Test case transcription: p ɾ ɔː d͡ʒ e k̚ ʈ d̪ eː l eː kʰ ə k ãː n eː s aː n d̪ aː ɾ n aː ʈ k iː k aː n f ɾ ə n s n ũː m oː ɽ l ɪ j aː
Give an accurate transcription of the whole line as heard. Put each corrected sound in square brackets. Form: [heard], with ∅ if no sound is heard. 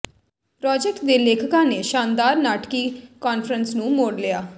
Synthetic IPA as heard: p ɾ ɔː d͡ʒ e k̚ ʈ d̪ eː l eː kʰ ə k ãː n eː [ʃ] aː n d̪ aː ɾ n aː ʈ k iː k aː n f ɾ ə n s n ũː m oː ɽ l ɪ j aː